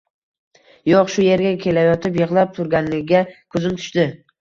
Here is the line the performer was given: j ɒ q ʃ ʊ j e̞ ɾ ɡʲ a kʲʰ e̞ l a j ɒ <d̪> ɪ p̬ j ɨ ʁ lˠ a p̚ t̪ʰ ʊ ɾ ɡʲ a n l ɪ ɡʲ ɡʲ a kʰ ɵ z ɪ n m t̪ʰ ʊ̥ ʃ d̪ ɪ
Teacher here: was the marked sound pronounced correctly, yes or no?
no